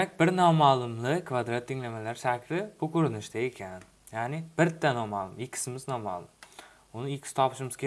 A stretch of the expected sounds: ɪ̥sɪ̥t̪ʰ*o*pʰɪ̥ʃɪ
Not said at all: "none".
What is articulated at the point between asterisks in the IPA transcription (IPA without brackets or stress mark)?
ɒ